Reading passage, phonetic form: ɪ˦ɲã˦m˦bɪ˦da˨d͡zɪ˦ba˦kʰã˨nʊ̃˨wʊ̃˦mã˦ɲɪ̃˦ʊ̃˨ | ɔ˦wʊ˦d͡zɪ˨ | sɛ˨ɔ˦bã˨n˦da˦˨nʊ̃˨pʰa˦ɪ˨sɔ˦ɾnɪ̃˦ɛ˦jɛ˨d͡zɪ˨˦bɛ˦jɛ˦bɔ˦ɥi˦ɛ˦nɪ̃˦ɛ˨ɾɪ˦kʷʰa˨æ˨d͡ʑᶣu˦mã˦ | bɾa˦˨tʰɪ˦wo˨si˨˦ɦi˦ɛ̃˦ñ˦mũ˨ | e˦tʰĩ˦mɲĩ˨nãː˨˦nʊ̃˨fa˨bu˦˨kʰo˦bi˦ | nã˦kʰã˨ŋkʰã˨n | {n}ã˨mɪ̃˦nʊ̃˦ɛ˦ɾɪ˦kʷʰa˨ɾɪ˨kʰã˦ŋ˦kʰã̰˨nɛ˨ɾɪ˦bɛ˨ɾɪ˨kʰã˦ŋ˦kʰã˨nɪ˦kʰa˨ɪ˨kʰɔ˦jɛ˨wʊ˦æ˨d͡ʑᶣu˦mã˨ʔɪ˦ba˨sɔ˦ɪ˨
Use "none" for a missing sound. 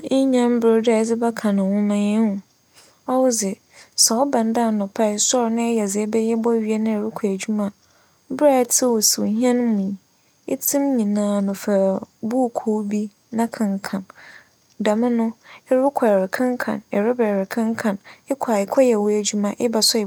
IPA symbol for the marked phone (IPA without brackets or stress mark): d